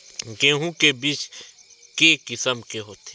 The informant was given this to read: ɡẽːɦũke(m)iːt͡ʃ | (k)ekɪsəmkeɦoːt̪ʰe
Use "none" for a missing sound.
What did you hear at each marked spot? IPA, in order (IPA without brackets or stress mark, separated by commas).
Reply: b, k